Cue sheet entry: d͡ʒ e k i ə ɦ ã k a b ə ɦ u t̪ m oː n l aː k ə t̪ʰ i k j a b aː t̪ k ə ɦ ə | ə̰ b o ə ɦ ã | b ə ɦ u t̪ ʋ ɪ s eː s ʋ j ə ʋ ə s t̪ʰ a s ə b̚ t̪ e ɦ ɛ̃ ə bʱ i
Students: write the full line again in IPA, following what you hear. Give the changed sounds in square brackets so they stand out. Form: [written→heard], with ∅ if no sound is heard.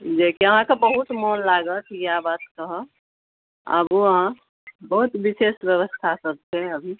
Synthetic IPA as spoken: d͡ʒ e k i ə ɦ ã k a b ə ɦ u t̪ m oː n l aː [k→ɡ] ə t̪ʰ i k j a b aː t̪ k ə ɦ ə | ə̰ b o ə ɦ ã | b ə ɦ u t̪ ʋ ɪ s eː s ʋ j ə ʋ ə s t̪ʰ a s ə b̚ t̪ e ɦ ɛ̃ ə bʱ i